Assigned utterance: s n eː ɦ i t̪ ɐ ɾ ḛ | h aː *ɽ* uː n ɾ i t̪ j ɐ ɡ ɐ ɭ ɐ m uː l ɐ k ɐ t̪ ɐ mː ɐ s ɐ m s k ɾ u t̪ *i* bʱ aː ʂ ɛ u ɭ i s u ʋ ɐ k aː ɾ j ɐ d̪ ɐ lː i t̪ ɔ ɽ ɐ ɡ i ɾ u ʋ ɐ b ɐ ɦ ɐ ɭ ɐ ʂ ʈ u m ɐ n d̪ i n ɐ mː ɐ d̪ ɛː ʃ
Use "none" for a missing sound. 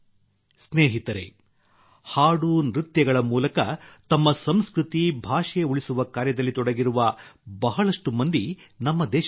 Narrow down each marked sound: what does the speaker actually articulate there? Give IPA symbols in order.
ɽ, i

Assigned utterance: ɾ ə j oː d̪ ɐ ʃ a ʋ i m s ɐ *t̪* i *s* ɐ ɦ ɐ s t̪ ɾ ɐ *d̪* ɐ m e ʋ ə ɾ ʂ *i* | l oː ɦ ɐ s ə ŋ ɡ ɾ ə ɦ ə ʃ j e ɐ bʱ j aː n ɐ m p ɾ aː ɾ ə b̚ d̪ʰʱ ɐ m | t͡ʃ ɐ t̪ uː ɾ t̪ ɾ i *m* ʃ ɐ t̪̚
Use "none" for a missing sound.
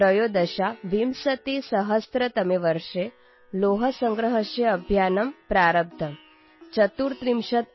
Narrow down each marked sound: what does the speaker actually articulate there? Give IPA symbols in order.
t̪, s, t̪, e, m

